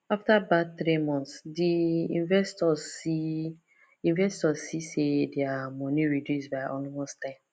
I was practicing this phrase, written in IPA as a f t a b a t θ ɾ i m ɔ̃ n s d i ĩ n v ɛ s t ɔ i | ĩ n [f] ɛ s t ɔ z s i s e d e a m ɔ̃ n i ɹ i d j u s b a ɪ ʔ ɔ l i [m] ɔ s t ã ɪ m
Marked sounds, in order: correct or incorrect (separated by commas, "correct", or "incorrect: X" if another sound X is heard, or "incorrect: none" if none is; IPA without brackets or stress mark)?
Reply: incorrect: v, correct